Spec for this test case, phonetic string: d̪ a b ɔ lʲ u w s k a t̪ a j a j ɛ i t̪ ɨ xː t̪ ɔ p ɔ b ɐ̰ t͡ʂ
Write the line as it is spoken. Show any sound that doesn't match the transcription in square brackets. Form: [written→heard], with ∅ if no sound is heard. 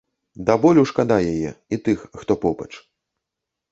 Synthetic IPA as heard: d̪ a b ɔ lʲ u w [s→ʂ] k a [t̪→d̪] a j a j ɛ i t̪ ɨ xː t̪ ɔ p ɔ b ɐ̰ t͡ʂ

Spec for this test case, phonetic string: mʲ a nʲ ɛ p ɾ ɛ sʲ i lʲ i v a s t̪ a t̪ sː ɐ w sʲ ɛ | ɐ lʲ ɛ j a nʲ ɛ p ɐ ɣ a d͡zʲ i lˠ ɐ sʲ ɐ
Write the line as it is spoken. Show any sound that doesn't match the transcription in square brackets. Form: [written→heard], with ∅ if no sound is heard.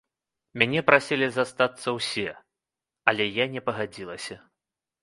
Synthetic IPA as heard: mʲ a nʲ ɛ p ɾ [ɛ→a] sʲ i lʲ i [v→z] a s t̪ a t̪ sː ɐ w sʲ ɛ | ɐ lʲ ɛ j a nʲ ɛ p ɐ ɣ a d͡zʲ i lˠ ɐ sʲ ɐ

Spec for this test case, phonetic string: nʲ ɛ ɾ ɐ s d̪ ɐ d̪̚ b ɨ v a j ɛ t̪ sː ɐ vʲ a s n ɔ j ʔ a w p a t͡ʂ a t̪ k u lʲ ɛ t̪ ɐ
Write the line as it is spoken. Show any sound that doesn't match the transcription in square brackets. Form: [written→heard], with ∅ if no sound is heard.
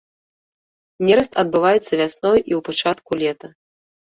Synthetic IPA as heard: nʲ ɛ ɾ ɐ s [d̪→t̪] ɐ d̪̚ b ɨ v a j ɛ t̪ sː ɐ vʲ a s n ɔ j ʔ [a→i] w p a t͡ʂ a t̪ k u lʲ ɛ t̪ ɐ

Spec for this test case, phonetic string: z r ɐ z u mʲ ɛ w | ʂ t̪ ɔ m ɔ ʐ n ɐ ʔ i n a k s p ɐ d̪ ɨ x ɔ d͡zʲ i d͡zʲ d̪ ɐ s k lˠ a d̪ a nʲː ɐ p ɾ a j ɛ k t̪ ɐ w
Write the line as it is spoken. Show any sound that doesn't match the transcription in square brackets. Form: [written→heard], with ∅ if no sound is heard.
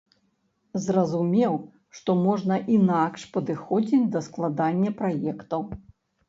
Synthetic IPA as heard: z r ɐ z u mʲ ɛ w | ʂ t̪ ɔ m ɔ ʐ n ɐ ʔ i n a k [s→ʂ] p ɐ d̪ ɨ x ɔ d͡zʲ i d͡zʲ d̪ ɐ s k lˠ a d̪ a nʲː ɐ p ɾ a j ɛ k t̪ ɐ w

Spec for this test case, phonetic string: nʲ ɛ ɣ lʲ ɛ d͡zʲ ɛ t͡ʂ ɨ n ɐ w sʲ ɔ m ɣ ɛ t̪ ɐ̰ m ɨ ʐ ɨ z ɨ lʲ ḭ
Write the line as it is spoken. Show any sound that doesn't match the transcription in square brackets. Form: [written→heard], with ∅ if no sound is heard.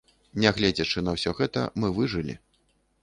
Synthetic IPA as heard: nʲ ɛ ɣ lʲ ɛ d͡zʲ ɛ t͡ʂ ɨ n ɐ w sʲ ɔ [m→∅] ɣ ɛ t̪ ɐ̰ m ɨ [ʐ→v] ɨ [z→ʐ] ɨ lʲ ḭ

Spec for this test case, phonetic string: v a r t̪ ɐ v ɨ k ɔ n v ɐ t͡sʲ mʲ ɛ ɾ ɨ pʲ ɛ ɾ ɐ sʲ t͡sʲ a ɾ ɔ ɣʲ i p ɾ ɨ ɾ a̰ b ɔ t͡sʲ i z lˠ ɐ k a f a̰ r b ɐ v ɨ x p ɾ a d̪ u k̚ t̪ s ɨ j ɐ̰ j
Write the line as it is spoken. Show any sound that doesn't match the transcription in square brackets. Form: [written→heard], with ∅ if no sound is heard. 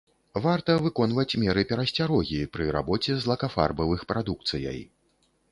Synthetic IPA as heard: v a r t̪ ɐ v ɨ k ɔ n v ɐ t͡sʲ mʲ ɛ ɾ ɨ pʲ ɛ ɾ ɐ sʲ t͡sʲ a ɾ ɔ ɣʲ i p ɾ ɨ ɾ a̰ b ɔ t͡sʲ [i→ɛ] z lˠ ɐ k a f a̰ r b ɐ v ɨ x p ɾ a d̪ u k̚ t̪ s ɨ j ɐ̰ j

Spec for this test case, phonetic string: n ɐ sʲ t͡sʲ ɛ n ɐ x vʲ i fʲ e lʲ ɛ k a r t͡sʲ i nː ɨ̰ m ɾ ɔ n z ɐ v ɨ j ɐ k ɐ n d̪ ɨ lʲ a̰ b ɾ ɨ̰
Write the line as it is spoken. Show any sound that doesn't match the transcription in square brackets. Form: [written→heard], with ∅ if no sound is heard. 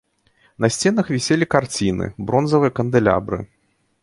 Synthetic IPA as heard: n ɐ sʲ t͡sʲ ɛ n ɐ x vʲ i [fʲ→sʲ] e lʲ [ɛ→i] k a r t͡sʲ i [nː→n] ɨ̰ [m→b] ɾ ɔ n z ɐ v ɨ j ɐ k ɐ n d̪ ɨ lʲ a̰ b ɾ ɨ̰

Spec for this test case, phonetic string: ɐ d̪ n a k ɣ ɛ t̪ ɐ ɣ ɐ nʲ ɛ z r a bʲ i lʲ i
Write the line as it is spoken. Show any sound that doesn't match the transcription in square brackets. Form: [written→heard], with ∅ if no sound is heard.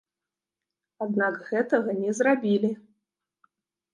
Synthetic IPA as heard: [ɐ→a] d̪ n a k ɣ ɛ t̪ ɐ ɣ ɐ nʲ ɛ z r a bʲ i lʲ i

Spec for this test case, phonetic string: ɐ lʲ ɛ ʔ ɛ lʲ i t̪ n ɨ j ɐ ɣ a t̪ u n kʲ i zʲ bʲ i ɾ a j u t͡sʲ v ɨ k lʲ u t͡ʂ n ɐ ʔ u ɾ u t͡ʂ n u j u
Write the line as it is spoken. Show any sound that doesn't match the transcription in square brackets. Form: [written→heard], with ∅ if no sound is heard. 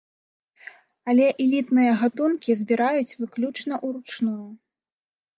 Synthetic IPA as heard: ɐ lʲ ɛ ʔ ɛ lʲ i t̪ n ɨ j ɐ ɣ a t̪ u n kʲ i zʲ bʲ i ɾ a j u t͡sʲ v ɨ k lʲ u t͡ʂ n ɐ ʔ u ɾ u t͡ʂ n u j u

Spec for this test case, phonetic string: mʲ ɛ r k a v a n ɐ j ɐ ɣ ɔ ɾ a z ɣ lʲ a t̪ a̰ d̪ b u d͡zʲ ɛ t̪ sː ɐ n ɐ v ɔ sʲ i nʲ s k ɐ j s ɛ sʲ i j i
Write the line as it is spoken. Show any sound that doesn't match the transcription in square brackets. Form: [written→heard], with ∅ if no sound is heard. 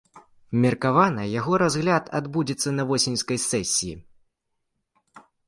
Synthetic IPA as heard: mʲ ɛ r k a v a n ɐ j [ɐ→a] ɣ ɔ ɾ a z ɣ lʲ a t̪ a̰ d̪ b u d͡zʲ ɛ t̪ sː ɐ n ɐ v ɔ sʲ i nʲ s k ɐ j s ɛ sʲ i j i

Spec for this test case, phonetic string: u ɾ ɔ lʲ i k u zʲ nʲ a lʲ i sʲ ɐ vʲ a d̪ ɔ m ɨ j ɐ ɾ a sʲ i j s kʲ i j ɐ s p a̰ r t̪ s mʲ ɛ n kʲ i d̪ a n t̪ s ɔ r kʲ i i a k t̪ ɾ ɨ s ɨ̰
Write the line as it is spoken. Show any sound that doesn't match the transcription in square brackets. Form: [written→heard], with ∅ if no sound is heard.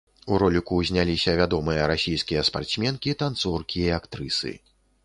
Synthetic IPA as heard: u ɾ ɔ lʲ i k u zʲ nʲ a lʲ i sʲ ɐ vʲ a d̪ ɔ m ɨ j ɐ ɾ a sʲ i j s kʲ i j ɐ s p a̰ r t̪ s mʲ ɛ n kʲ i [d̪→t̪] a n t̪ s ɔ r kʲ i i a k t̪ ɾ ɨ s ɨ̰

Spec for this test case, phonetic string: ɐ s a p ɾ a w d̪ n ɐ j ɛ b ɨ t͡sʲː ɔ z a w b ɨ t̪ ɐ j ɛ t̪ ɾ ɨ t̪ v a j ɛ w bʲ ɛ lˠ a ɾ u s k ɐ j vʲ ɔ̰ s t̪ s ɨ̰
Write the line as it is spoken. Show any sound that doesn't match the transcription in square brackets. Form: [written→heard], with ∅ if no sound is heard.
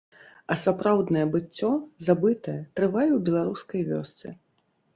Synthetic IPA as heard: ɐ s a p ɾ a w d̪ n ɐ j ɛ b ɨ t͡sʲː ɔ z a [w→∅] b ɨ t̪ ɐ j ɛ t̪ ɾ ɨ [t̪→∅] v a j ɛ w bʲ ɛ lˠ a ɾ u s k ɐ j vʲ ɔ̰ s t̪ s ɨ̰

